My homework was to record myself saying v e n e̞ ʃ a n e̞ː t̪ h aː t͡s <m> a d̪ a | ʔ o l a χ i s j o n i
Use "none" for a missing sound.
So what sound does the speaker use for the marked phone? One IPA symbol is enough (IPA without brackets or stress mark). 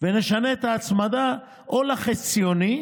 m